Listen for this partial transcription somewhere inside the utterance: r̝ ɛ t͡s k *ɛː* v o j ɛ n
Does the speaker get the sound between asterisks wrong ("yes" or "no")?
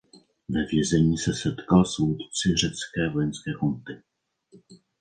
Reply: no